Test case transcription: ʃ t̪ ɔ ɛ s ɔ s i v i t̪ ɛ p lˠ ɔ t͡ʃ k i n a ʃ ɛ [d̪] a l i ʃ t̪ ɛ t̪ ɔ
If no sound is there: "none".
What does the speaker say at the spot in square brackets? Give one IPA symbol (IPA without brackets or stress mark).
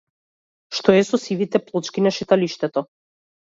t̪